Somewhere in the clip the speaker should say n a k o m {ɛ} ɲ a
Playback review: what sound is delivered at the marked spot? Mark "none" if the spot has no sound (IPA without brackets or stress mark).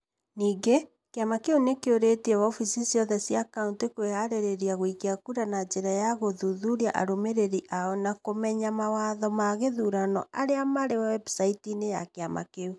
ɛ